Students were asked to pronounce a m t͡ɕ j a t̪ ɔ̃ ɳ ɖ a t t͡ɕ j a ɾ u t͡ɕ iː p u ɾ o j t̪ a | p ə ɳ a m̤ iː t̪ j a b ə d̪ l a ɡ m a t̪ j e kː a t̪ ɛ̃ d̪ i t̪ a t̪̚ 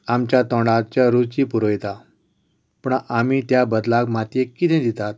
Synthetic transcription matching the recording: a m t͡ɕ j a t̪ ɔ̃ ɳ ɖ a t t͡ɕ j a ɾ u t͡ɕ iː p u ɾ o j t̪ a | p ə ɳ a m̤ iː t̪ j a b ə d̪ l a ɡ m a t̪ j e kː i t̪ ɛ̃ d̪ i t̪ a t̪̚